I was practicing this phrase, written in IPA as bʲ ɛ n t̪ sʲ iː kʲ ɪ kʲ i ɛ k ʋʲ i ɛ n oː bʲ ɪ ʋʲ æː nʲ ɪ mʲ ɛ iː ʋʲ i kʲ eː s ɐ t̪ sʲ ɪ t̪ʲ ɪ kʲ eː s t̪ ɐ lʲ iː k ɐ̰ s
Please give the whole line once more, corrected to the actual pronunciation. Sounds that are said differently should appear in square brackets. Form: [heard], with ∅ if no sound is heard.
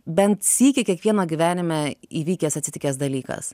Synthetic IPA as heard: bʲ ɛ n t̪ sʲ iː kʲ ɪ kʲ i ɛ k ʋʲ i ɛ n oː [ɡʲ] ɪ ʋʲ æː nʲ ɪ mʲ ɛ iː ʋʲ [iː] kʲ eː s ɐ t̪ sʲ ɪ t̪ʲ ɪ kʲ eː s [d̪] ɐ lʲ iː k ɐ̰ s